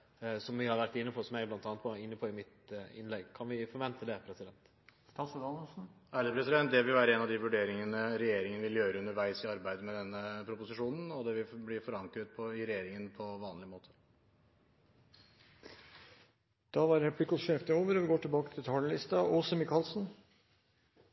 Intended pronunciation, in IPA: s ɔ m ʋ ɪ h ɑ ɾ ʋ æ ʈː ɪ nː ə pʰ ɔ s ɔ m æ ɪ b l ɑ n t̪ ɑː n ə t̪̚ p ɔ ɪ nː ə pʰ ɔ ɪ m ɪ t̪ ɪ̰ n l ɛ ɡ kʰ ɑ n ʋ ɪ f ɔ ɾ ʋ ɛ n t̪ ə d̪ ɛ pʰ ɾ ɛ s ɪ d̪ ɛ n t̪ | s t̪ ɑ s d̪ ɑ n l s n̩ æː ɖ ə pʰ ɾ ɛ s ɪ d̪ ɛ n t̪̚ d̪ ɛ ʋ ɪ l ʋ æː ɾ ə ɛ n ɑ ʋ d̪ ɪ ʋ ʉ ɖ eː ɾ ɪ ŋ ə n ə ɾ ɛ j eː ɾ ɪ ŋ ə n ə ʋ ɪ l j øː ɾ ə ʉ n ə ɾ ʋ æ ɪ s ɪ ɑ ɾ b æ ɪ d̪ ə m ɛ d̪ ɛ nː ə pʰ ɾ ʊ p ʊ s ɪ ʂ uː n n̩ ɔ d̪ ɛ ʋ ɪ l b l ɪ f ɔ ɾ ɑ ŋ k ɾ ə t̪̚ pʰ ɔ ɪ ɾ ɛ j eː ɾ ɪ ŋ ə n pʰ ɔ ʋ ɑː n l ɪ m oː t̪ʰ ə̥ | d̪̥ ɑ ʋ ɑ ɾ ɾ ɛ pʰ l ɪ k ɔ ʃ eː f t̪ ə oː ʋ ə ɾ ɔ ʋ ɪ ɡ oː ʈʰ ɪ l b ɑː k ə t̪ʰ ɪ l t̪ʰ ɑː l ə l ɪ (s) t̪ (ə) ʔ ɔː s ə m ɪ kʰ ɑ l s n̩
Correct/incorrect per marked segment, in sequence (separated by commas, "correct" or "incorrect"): correct, incorrect